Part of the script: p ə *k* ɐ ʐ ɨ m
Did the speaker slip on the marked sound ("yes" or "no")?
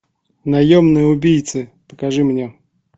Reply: no